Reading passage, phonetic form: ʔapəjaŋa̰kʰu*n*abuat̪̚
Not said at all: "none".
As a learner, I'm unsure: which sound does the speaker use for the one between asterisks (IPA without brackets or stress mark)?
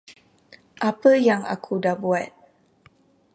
d